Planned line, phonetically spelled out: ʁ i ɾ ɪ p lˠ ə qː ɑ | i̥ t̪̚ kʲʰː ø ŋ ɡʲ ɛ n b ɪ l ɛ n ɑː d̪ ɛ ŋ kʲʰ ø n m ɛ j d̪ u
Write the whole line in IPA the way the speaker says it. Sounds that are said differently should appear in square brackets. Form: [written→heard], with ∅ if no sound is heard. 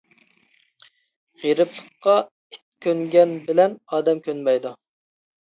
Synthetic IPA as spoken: ʁ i ɾ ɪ p lˠ ə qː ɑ | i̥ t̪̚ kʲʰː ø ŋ ɡʲ ɛ n b ɪ l ɛ n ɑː d̪ ɛ [ŋ→m] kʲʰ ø n m ɛ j d̪ u